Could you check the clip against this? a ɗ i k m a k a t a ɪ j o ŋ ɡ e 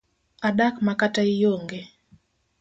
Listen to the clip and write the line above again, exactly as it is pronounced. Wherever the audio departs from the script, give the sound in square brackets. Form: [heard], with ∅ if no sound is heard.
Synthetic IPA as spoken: a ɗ [a] k m a k a t a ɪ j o ŋ ɡ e